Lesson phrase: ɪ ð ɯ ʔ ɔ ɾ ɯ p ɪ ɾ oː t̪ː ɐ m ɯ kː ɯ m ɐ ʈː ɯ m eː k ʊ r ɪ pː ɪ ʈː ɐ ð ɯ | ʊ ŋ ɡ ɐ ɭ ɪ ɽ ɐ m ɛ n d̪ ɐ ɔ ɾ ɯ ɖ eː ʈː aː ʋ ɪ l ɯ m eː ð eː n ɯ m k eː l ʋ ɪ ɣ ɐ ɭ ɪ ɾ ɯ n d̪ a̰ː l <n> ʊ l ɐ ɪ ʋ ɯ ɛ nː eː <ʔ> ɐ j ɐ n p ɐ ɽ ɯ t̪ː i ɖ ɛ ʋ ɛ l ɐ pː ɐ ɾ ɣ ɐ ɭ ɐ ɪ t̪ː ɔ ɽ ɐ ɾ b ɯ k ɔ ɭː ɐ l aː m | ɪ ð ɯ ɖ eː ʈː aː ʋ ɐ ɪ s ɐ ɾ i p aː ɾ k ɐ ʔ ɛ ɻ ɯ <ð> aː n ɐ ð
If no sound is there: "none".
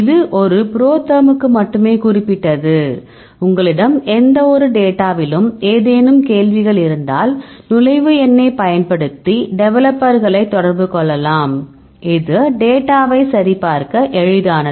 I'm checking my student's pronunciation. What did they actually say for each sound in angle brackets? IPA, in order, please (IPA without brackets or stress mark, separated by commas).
n, p, ð